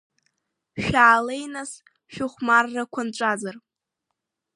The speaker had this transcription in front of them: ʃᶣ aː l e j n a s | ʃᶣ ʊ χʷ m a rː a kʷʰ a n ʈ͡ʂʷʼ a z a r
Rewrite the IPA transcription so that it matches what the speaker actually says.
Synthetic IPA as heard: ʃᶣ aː l e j n a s | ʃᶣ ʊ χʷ m a rː a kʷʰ a n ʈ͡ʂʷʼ a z a r

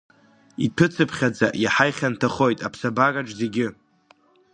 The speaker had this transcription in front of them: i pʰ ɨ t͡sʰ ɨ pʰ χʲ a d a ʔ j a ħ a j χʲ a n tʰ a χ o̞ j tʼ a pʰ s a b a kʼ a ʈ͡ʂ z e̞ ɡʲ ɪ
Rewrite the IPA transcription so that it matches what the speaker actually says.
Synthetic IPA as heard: i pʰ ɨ t͡sʰ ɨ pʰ χʲ a d͡z a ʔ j a ħ a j χʲ a n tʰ a χ o̞ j tʼ a pʰ s a b a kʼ a ʈ͡ʂ z e̞ ɡʲ ɪ

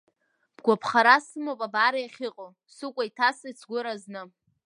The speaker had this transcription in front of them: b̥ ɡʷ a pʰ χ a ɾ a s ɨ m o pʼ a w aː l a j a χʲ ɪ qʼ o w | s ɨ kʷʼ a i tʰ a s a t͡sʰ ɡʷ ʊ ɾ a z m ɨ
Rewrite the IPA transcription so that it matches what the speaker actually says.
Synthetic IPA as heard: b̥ ɡʷ a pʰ χ a ɾ a s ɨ m o pʼ a b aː ɾ a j a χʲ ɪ qʼ o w | s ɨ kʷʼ a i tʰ a s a t͡sʰ ɡʷ ʊ ɾ a z n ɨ

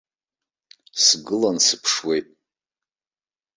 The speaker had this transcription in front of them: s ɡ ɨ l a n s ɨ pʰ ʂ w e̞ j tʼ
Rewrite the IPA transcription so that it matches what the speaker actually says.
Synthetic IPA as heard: s ɡ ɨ l a n s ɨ pʰ ʂ w e̞ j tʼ

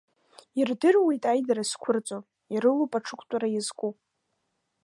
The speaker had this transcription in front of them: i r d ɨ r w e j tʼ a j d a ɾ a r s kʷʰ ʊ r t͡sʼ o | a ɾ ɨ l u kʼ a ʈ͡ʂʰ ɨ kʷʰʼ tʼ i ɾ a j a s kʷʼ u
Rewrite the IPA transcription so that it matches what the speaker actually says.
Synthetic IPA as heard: i r d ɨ r w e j tʼ a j d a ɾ a s kʷʰ ʊ r t͡sʼ o | i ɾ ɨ l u pʼ a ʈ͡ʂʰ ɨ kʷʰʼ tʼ a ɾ a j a z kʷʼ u

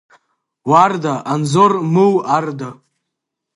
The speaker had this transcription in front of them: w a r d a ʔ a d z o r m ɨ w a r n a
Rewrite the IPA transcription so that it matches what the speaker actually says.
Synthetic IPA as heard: w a r d a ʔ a n z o r m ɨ w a r d a

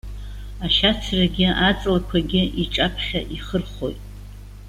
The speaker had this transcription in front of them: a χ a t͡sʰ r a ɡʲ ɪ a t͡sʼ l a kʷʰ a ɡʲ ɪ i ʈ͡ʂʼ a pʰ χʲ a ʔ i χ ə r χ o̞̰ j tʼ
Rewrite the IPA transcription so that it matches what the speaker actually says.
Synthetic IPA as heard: a ʃ a t͡sʰ r a ɡʲ ɪ a t͡sʼ l a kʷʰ a ɡʲ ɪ i ʈ͡ʂʼ a pʰ χʲ a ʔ i χ ə r χ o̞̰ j tʼ

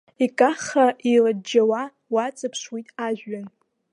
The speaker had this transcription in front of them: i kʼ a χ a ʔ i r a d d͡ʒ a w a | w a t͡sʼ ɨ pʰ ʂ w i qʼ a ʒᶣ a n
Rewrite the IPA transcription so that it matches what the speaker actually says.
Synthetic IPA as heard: i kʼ a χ a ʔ i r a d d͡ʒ a w a | w a t͡sʼ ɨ pʰ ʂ w i tʼ a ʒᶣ a n

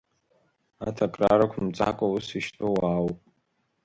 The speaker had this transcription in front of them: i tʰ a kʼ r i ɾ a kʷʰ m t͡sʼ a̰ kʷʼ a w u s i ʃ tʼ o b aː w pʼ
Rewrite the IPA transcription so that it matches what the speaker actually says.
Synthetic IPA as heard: a tʰ a kʼ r a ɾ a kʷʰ m t͡sʼ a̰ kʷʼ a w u s i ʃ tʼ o w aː w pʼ

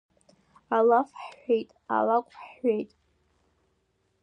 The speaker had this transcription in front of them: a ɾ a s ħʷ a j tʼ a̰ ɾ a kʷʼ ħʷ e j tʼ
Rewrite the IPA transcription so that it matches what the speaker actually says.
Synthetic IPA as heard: a l a f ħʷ e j tʼ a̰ l a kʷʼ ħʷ e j tʼ

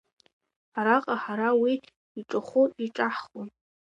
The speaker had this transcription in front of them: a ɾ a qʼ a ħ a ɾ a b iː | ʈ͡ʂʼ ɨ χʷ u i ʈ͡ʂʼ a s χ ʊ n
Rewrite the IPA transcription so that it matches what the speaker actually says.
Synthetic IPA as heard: a ɾ a qʼ a ħ a ɾ a w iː | ʈ͡ʂʼ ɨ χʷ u i ʈ͡ʂʼ a ħ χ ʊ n

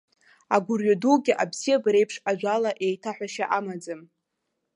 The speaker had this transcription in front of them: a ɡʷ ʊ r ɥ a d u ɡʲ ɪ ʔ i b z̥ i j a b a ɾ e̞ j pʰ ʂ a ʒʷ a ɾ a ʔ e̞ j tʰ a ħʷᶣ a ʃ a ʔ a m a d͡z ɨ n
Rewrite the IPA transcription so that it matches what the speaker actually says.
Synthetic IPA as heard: a ɡʷ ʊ r ɥ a d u ɡʲ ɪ ʔ a b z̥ i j a b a ɾ e̞ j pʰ ʂ a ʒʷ a l a ʔ e̞ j tʰ a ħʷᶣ a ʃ a ʔ a m a d͡z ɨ m

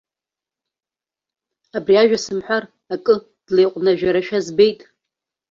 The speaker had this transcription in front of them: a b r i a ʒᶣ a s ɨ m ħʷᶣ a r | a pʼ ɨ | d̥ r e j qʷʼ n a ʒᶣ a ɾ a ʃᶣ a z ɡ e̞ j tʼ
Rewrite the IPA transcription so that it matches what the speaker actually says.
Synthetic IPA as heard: a b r i a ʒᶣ a s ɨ m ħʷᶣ a r | a kʼ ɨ | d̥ l e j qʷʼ n a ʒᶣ a ɾ a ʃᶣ a z b e̞ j tʼ

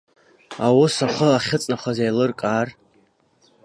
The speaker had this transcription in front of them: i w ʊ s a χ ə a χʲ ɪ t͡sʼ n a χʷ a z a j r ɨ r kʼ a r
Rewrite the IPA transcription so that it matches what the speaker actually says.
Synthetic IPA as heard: a w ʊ s a χ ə a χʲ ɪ t͡sʼ n a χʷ a z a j l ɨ r kʼ a r

